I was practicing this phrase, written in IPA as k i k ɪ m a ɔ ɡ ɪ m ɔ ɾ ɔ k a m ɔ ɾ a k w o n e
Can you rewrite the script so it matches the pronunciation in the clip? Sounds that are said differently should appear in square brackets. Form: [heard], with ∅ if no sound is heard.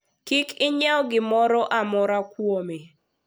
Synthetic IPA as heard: k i k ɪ [ɲ] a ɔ ɡ ɪ m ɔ ɾ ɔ [ʔ] a m ɔ ɾ a k w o [m] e